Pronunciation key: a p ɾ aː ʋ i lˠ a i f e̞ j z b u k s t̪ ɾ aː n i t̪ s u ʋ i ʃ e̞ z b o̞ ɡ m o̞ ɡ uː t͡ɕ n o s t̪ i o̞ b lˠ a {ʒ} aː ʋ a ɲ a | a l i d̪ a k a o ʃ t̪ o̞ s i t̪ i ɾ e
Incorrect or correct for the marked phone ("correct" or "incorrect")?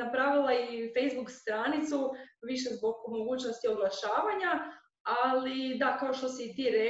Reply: incorrect